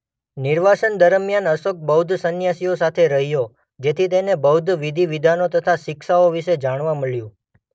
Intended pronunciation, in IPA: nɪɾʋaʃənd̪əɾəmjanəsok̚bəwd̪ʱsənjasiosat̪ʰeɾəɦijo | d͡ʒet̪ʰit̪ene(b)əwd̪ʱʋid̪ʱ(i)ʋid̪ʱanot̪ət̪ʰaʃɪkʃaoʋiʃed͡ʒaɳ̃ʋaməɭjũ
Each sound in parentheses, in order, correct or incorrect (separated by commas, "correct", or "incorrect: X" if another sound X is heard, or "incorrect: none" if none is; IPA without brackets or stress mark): correct, correct